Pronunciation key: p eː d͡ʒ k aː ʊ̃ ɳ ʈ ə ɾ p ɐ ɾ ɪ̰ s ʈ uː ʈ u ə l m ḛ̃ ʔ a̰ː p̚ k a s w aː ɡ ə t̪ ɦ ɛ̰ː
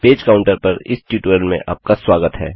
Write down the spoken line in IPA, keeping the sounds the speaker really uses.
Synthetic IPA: p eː d͡ʒ k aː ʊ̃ ɳ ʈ ə ɾ p ɐ ɾ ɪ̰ s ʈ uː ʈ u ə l m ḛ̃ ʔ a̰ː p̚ k a s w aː ɡ ə t̪ ɦ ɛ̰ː